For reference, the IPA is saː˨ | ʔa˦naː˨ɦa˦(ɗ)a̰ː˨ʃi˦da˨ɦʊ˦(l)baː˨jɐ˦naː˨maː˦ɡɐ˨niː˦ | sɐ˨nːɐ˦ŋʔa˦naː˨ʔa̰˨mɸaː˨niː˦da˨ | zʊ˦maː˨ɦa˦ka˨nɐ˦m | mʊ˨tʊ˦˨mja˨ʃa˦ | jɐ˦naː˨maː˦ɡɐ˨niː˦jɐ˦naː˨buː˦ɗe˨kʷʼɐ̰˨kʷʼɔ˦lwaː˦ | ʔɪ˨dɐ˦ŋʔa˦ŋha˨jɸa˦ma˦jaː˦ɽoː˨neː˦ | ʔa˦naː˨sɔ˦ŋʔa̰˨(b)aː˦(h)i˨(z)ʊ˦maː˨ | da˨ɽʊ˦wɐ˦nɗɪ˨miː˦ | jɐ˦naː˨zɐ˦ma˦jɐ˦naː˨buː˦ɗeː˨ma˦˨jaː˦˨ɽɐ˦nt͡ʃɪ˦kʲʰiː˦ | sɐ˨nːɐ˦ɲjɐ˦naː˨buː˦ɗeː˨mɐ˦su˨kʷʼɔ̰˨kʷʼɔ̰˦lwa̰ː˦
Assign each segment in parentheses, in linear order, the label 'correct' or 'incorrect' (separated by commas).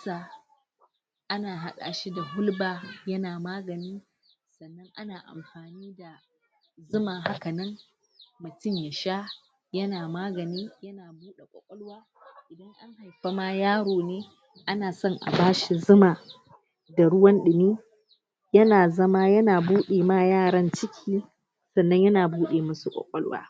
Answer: correct, correct, correct, incorrect, correct